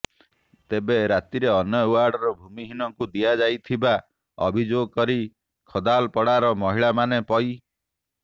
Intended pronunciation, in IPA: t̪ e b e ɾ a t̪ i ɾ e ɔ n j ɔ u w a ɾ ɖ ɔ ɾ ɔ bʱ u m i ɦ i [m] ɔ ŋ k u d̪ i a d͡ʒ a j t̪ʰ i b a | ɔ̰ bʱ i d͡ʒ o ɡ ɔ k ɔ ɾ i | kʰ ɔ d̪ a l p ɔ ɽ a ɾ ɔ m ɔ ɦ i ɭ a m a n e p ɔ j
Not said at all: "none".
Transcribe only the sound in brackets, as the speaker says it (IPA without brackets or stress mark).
n